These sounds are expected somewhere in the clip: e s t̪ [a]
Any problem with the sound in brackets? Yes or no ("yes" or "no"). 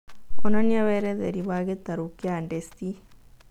yes